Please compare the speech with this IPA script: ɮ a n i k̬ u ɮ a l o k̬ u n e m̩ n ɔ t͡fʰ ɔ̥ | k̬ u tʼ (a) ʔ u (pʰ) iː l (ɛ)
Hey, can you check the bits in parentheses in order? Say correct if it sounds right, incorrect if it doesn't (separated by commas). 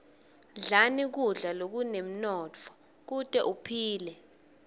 incorrect, correct, correct